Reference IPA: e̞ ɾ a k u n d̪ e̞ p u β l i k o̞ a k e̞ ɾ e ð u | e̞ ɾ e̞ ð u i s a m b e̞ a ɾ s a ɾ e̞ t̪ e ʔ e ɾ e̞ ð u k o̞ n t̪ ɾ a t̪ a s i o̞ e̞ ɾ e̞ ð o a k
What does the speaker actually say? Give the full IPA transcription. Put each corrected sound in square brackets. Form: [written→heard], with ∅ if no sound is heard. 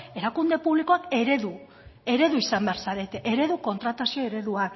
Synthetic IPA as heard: e̞ ɾ a k u n d̪ e̞ p u β l i k o̞ a k e̞ ɾ e ð u | e̞ ɾ e̞ ð u i s a m b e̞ a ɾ s a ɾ e̞ t̪ e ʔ e ɾ e̞ ð u k o̞ n t̪ ɾ a t̪ a s i o̞ e̞ ɾ e̞ ð [o→u] a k